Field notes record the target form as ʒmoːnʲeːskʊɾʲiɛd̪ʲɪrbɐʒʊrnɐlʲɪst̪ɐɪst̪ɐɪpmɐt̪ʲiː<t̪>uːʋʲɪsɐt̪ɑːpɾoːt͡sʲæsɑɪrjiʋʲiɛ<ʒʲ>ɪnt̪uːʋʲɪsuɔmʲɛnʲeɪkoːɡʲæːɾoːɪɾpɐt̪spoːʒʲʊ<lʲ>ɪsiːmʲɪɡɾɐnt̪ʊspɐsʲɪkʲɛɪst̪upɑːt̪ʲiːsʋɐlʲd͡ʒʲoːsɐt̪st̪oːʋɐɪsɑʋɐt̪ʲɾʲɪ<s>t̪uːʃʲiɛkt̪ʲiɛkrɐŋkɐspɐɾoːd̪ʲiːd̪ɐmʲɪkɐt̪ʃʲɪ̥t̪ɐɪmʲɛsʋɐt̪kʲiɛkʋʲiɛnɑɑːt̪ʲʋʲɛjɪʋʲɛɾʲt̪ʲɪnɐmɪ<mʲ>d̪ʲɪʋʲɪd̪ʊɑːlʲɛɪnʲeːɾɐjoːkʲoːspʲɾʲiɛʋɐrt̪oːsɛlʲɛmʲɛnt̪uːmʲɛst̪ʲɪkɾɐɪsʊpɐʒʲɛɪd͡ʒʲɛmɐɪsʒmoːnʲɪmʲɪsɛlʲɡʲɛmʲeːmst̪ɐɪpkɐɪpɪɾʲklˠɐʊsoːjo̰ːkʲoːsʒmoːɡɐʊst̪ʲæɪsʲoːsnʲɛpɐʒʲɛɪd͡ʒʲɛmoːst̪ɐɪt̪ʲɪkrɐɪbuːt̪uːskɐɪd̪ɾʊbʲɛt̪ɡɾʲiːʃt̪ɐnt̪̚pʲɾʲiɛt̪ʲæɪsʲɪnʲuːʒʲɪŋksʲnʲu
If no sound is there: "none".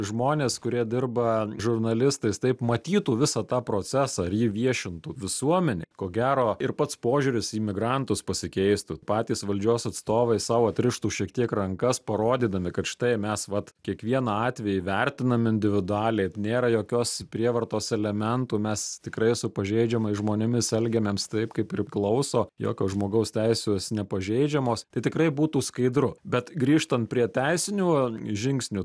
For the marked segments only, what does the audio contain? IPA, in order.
t̪, ʃʲ, ɾʲ, ʃ, nʲ

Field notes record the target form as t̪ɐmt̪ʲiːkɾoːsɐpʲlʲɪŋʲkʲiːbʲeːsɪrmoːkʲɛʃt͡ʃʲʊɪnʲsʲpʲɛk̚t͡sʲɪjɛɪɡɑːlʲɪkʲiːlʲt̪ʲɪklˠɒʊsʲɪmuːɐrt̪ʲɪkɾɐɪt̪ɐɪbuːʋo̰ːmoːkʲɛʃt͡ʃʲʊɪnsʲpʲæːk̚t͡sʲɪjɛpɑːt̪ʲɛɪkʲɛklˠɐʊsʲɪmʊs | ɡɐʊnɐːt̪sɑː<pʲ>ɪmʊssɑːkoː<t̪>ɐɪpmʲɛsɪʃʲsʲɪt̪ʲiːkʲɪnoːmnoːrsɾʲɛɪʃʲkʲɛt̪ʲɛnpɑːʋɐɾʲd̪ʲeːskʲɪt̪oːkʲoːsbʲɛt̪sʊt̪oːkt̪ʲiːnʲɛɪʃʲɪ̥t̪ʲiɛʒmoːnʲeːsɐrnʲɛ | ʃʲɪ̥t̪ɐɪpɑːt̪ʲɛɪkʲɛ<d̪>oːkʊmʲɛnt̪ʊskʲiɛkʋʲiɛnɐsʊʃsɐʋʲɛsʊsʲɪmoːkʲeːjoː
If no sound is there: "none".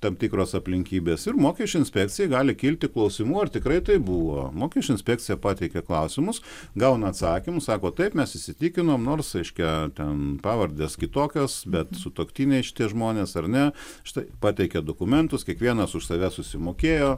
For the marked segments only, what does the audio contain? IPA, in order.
kʲ, t̪, d̪

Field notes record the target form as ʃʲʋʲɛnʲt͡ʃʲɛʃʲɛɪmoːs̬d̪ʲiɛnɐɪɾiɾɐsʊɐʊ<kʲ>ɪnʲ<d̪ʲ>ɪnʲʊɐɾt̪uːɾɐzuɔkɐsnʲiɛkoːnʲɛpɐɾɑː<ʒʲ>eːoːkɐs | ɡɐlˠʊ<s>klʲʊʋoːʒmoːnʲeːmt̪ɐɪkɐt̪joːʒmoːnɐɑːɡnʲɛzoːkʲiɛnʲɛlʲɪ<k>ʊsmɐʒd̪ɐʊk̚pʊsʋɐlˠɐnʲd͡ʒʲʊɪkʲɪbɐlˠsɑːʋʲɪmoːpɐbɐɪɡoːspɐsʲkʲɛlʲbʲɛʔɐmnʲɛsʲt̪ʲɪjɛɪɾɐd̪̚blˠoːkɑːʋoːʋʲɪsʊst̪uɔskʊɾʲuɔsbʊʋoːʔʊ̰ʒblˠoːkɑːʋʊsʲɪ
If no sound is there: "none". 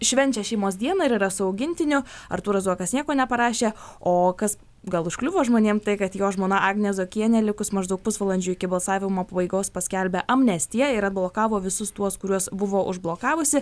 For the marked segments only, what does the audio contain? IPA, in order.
ɡʲ, t̪ʲ, ʃʲ, ʃ, k

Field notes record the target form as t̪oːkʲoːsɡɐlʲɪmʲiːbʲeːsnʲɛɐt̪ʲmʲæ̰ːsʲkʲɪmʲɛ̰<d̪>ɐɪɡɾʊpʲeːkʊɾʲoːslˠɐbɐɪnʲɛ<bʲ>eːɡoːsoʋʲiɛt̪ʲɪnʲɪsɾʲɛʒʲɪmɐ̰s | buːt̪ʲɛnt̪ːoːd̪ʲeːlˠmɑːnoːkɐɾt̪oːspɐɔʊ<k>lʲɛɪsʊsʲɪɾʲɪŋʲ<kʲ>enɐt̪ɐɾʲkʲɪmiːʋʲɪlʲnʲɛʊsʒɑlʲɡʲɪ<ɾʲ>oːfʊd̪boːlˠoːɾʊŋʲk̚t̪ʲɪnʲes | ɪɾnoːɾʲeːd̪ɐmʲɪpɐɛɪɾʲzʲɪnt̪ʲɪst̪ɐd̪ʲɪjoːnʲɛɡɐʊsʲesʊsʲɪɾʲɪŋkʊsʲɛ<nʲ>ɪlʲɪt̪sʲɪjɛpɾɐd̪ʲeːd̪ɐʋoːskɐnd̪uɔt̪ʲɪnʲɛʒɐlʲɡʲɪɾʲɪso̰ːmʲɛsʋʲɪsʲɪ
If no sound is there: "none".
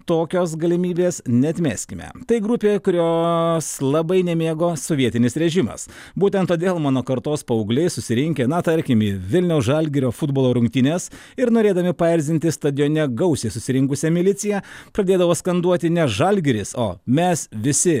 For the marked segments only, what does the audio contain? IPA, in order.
t̪, mʲ, ɡ, kʲ, ɾʲ, mʲ

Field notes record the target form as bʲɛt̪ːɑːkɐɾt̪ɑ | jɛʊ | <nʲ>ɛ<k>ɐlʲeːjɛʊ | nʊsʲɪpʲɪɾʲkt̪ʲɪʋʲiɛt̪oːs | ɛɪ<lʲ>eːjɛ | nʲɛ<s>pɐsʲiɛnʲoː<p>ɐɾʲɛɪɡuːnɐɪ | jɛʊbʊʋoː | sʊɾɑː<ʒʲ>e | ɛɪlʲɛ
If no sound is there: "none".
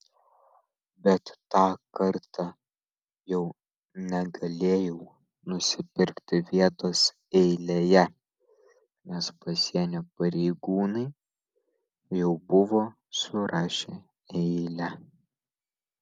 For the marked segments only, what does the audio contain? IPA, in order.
nʲ, ɡ, lʲ, s, p, ʃʲ

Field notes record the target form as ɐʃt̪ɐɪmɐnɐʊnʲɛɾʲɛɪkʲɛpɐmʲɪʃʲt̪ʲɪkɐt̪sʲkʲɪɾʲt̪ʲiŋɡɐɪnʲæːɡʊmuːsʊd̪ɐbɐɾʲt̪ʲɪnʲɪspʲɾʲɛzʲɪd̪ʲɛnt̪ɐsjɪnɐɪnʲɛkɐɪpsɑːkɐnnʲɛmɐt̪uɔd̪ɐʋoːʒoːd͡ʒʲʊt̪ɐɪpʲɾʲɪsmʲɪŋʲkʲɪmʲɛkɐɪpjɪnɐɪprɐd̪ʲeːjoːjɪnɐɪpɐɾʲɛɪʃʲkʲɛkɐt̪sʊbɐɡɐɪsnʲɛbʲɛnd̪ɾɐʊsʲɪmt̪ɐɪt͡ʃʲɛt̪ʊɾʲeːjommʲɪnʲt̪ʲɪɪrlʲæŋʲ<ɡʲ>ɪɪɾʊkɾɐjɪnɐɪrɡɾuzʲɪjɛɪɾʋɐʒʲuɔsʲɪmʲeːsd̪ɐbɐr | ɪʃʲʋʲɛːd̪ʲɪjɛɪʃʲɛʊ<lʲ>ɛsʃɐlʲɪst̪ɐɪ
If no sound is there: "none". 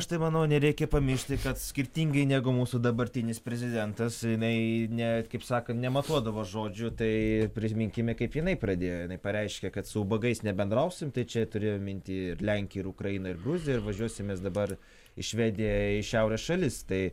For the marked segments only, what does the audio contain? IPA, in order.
kʲ, ɾʲ

